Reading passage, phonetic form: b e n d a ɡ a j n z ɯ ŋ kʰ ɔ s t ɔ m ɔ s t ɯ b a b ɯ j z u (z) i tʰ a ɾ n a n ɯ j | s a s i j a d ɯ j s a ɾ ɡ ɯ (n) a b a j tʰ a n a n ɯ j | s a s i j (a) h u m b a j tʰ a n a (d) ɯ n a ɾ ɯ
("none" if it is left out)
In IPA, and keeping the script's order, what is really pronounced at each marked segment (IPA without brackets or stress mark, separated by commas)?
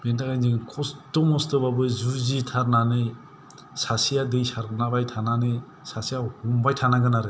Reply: z, n, a, ɡ